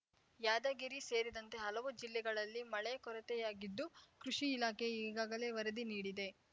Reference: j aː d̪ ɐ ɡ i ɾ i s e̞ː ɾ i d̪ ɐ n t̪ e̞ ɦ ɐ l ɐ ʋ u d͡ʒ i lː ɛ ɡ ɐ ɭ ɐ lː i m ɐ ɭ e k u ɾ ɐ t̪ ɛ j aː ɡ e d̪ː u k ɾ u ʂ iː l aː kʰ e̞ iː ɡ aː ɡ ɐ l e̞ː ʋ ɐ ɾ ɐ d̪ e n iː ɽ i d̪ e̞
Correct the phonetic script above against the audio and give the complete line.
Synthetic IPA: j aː d̪ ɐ ɡ i ɾ i s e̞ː ɾ i d̪ ɐ n t̪ e̞ ɦ ɐ l ɐ ʋ u d͡ʒ i lː ɛ ɡ ɐ ɭ ɐ lː i m ɐ ɭ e k ɔ ɾ ɐ t̪ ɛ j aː ɡ i d̪ː u k ɾ u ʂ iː l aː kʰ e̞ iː ɡ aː ɡ ɐ l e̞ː ʋ ɐ ɾ ɐ d̪ i n iː ɽ i d̪ e̞